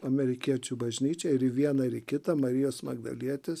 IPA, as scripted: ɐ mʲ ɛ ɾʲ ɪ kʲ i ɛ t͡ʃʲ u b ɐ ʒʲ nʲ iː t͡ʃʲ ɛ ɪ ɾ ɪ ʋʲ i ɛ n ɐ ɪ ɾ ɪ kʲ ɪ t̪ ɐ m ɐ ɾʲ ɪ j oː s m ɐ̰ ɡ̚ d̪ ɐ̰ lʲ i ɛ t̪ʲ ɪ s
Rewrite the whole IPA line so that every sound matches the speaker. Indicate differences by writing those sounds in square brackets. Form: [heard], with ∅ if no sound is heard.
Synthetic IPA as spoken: ɐ mʲ ɛ ɾʲ ɪ kʲ i ɛ t͡ʃʲ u b ɐ ʒʲ nʲ iː t͡ʃʲ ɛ ɪ ɾ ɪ ʋʲ i ɛ n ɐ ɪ ɾ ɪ kʲ ɪ t̪ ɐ m ɐ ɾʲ ɪ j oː s m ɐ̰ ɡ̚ d̪ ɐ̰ lʲ i ɛ t̪ʲ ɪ s